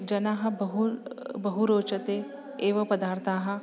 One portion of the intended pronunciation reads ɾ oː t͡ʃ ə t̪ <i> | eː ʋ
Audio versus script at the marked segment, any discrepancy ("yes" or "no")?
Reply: yes